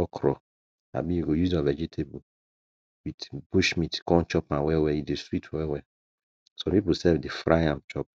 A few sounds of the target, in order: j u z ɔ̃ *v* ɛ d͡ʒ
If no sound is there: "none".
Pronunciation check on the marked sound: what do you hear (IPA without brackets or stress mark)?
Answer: v